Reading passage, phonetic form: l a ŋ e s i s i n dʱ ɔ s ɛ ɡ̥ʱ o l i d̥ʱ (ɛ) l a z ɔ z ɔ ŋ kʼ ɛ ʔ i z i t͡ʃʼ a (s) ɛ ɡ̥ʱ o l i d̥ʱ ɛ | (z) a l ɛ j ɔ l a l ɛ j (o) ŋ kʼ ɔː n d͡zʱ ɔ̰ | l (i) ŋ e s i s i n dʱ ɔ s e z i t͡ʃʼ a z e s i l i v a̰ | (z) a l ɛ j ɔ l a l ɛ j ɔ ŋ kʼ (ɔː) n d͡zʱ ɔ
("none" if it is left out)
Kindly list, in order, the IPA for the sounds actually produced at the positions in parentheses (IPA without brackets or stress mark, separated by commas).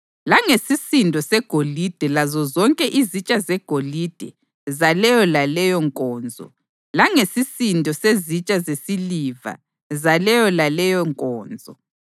ɛ, z, z, ɔ, a, z, ɔː